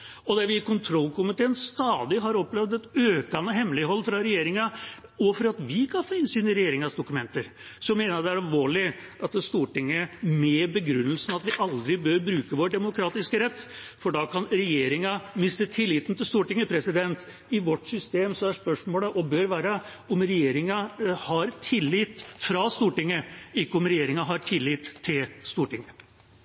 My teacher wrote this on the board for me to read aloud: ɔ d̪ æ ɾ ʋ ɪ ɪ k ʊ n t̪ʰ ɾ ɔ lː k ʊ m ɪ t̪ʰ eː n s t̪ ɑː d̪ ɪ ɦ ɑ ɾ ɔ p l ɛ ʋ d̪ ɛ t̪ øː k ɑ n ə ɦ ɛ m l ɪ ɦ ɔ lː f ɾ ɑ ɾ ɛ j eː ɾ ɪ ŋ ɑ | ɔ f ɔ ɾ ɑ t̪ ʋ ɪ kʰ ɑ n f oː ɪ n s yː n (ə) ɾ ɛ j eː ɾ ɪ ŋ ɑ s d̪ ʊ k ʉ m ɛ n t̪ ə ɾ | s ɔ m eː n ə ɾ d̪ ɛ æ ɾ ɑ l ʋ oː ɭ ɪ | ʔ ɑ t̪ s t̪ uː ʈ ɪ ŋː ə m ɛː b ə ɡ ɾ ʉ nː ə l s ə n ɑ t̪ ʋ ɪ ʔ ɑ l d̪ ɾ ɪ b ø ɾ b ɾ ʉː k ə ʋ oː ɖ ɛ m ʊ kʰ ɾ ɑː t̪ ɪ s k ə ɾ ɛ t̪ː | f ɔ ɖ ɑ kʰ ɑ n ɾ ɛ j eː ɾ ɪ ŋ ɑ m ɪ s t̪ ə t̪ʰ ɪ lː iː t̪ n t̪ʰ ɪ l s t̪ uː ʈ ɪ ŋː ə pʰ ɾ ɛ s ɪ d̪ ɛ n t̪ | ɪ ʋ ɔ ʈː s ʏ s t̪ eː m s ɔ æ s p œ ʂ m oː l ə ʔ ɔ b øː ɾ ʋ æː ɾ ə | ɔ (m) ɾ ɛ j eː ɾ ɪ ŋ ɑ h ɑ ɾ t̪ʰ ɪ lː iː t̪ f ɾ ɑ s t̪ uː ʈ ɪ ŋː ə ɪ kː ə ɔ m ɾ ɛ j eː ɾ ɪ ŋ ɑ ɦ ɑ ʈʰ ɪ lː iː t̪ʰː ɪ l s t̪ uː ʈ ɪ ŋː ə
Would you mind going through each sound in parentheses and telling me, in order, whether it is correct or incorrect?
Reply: correct, correct

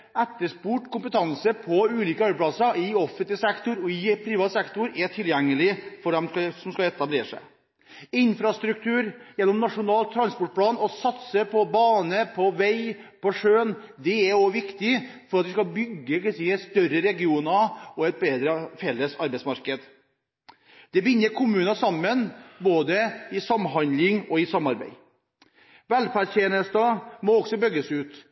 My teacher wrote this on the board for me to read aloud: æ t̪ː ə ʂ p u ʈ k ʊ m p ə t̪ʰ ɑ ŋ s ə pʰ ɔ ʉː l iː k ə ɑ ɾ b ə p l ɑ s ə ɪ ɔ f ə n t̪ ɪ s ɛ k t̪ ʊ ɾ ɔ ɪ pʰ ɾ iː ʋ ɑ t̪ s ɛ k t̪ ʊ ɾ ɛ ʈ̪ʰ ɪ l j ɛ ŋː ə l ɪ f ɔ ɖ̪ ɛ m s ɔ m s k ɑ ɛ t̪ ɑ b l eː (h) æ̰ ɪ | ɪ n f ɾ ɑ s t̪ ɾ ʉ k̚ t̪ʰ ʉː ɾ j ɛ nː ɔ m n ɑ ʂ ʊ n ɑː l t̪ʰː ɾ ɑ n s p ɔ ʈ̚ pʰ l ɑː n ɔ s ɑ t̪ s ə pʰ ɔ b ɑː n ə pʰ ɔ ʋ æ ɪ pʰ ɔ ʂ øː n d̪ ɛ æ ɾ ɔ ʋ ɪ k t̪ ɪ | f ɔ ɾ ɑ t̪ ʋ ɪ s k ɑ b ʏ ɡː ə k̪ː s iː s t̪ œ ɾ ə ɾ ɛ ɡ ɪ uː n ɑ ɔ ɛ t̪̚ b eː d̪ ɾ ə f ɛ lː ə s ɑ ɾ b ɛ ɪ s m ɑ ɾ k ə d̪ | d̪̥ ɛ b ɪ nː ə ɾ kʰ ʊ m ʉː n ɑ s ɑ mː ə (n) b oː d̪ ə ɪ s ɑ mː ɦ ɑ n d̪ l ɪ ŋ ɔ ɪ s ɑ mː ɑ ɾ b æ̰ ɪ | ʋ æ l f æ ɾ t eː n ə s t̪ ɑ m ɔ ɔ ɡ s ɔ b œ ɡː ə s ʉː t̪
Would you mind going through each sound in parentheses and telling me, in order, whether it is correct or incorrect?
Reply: incorrect: ʂ, correct

